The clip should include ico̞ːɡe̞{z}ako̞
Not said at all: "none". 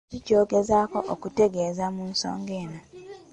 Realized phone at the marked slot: z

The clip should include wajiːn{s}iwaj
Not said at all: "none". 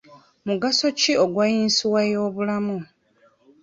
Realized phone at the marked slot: s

